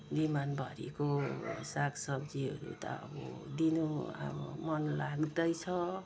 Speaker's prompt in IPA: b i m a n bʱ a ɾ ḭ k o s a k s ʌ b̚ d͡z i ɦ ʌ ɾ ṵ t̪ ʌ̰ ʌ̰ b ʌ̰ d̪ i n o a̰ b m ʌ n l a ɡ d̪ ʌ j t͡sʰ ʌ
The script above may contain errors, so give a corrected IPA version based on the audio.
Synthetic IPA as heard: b i m a n bʱ ʌ ɾ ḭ k o s a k s ʌ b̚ d͡z i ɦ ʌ ɾ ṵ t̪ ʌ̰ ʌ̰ b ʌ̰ d̪ i n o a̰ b m ʌ n l a ɡ d̪ ʌ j t͡sʰ ʌ